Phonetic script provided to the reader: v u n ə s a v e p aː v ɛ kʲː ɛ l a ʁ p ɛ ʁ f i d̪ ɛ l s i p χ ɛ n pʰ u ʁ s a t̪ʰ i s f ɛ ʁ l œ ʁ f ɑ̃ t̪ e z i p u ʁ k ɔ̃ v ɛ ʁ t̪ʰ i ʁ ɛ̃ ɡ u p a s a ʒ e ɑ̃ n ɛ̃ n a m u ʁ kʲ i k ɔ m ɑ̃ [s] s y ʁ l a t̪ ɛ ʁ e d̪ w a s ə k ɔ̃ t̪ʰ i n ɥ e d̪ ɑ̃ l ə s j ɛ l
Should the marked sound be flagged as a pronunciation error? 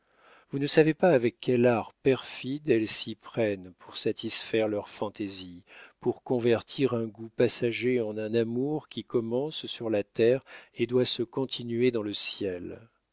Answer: no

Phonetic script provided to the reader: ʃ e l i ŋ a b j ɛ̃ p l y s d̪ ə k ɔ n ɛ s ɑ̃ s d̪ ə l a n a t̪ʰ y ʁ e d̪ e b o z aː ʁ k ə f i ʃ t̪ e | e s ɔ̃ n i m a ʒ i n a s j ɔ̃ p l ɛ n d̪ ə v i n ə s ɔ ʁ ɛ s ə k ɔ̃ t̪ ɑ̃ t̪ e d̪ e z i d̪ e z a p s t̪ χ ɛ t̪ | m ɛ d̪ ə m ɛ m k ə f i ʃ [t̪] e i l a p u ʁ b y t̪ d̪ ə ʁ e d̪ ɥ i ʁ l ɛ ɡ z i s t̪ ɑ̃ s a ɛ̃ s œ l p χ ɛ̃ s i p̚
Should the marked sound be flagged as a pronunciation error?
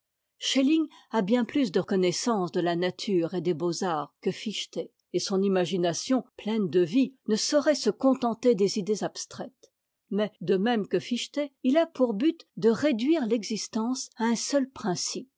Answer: no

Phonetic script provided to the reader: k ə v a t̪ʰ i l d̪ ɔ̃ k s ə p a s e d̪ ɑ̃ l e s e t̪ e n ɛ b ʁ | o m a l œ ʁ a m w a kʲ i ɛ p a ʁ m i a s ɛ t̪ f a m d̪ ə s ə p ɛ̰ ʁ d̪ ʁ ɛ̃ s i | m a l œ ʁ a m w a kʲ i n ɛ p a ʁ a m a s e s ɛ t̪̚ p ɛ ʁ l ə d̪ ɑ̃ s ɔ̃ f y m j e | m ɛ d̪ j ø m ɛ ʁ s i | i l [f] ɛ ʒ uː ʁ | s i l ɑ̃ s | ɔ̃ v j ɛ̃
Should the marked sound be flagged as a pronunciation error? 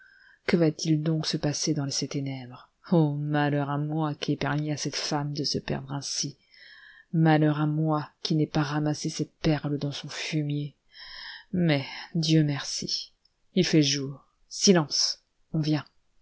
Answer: no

